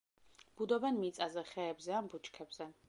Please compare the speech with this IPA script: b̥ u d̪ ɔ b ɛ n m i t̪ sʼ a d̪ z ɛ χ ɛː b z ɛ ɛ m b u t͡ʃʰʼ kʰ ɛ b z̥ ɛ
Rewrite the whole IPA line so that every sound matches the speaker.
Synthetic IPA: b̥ u d̪ ɔ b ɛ n m i t̪ sʼ a z ɛ χ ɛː b z ɛ a m b u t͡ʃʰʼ kʰ ɛ b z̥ ɛ